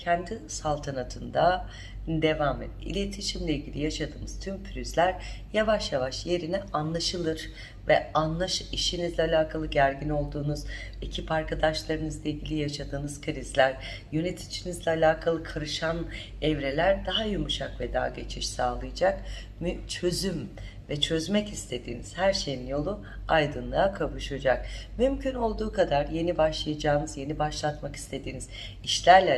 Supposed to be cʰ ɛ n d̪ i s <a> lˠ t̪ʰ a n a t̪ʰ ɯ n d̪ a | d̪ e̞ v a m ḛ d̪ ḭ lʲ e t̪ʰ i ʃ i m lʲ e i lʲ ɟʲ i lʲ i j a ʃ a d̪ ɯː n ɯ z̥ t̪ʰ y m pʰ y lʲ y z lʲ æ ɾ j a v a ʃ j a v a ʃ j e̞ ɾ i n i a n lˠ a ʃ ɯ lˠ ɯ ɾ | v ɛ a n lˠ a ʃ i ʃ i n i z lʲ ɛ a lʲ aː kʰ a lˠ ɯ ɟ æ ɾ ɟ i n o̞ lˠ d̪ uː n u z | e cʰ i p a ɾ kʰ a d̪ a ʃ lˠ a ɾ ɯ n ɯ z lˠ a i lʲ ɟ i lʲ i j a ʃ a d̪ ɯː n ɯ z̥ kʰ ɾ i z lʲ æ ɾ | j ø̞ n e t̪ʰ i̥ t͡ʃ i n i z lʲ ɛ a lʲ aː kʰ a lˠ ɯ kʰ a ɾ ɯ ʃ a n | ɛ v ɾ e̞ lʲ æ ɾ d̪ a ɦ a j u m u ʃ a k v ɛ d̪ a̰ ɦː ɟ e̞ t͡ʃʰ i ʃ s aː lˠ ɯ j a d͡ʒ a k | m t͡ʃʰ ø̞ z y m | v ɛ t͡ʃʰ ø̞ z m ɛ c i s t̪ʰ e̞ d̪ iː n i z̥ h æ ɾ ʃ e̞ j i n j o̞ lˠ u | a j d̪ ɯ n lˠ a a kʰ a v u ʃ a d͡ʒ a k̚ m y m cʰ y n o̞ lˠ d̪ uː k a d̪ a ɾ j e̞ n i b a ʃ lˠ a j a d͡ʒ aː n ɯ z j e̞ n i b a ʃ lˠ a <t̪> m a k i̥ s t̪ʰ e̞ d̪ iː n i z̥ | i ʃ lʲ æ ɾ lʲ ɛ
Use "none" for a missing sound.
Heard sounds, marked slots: a, t̪

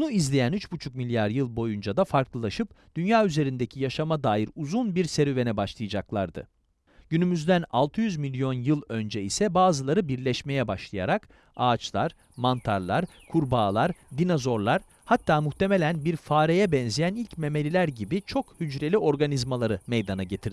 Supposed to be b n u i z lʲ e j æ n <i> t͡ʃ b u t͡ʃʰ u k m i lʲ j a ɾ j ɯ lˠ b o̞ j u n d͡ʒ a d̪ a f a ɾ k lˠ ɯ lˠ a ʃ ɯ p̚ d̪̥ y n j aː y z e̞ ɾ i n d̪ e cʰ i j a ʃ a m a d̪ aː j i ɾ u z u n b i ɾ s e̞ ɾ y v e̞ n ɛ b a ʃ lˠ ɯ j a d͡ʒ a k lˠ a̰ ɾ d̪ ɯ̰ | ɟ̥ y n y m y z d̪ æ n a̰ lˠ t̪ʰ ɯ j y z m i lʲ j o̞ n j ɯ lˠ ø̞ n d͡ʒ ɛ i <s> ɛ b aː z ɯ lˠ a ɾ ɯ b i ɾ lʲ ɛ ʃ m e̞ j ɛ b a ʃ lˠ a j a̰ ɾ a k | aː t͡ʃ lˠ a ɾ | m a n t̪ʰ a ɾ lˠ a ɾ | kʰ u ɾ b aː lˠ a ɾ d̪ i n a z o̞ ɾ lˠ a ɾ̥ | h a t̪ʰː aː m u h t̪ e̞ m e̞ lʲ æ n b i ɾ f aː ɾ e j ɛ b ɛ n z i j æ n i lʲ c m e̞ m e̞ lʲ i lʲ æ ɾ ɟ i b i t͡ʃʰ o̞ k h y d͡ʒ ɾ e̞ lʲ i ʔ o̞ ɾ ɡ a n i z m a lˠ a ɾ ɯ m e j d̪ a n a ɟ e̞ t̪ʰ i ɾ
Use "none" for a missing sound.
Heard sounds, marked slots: y, s

